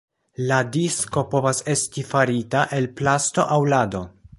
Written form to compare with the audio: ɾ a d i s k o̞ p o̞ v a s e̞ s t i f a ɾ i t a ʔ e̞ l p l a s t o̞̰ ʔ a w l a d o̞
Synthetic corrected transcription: l a d i s k o̞ p o̞ v a s e̞ s t i f a ɾ i t a ʔ e̞ l p l a s t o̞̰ ʔ a w l a d o̞